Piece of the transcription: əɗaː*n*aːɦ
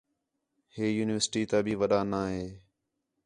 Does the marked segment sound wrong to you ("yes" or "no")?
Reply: no